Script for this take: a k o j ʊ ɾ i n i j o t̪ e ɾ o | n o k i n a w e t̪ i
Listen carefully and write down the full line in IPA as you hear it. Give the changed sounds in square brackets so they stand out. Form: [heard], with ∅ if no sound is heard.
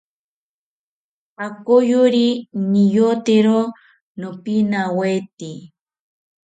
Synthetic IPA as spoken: a k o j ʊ ɾ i n i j o t̪ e ɾ o | n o [p] i n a w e t̪ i